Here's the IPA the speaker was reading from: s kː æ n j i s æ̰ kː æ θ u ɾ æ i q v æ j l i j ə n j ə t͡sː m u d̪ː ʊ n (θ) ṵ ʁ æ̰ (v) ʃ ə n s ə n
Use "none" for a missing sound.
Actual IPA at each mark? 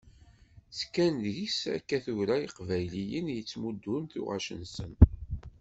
θ, none

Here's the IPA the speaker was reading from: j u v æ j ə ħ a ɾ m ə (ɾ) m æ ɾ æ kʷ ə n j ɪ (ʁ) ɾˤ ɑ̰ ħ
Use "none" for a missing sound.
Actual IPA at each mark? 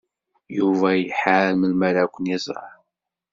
l, z

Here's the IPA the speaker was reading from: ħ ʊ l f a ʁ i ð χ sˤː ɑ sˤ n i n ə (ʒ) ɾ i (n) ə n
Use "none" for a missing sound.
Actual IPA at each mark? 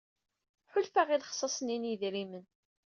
ð, m

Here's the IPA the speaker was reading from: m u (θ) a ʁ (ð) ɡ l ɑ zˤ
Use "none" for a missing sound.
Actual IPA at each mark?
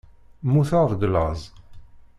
θ, ð

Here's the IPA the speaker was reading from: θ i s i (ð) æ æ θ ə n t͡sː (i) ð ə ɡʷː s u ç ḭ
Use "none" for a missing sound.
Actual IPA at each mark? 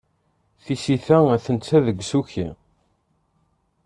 θ, æ

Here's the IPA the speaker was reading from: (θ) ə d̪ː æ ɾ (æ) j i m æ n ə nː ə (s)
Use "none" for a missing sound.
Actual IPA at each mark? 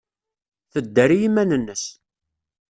θ, i, s

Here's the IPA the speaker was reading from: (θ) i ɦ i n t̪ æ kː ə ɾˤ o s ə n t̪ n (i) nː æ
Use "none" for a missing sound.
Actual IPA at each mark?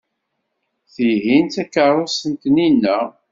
θ, i

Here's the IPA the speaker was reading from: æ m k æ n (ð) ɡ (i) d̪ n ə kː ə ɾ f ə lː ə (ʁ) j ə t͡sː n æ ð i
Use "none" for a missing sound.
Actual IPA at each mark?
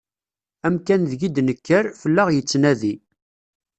ð, i, ʁ

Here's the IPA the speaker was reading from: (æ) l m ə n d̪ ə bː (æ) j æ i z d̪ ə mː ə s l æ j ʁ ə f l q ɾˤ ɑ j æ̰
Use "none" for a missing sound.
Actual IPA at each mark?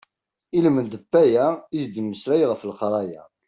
i, æ

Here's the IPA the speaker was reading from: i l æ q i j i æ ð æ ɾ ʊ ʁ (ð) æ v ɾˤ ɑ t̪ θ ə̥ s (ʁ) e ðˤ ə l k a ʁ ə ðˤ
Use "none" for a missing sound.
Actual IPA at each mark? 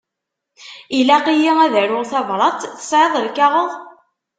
θ, ʕ

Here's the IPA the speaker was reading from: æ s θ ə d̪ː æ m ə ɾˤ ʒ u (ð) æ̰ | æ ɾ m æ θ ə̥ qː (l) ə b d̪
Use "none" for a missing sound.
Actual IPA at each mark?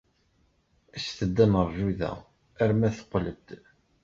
ð, l

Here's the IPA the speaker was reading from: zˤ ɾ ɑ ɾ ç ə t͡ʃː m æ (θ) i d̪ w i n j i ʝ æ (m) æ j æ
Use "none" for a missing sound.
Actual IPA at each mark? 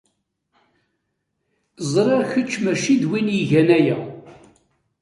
ʃ, n

